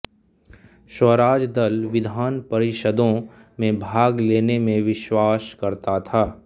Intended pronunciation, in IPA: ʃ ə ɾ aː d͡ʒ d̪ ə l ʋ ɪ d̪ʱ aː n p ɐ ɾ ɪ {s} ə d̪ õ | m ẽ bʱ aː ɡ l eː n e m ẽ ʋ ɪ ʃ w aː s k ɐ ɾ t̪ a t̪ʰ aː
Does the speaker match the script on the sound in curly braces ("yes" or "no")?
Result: no